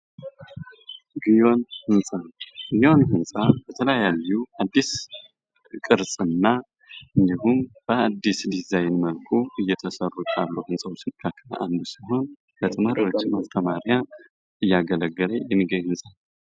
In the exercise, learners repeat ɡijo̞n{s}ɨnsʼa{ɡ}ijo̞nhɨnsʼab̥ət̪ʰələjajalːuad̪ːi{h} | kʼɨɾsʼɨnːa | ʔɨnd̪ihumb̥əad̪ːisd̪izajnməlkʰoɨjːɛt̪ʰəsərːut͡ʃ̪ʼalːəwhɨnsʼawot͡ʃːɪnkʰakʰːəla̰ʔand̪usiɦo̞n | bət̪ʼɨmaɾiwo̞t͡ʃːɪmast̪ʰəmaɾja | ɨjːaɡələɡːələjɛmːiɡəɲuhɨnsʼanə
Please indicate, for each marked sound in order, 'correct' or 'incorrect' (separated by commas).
incorrect, correct, incorrect